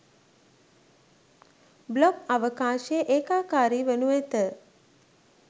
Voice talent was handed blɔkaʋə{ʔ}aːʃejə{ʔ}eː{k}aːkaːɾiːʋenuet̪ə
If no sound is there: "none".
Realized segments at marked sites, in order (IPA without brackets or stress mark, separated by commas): k, ʔ, k